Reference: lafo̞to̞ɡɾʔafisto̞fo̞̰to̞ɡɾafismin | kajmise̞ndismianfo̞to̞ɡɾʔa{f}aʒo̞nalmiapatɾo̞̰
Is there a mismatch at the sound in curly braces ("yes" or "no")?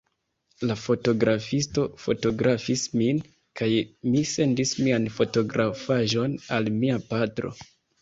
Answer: no